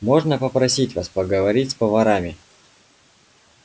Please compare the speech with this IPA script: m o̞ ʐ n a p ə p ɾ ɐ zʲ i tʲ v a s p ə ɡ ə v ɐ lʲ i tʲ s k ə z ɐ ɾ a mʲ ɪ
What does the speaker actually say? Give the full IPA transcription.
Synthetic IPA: m o̞ ʐ n ə p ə p ɾ ɐ sʲ i tʲ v a s p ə ɡ ə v ɐ ɾʲ i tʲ s p ə v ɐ ɾ a mʲ ɪ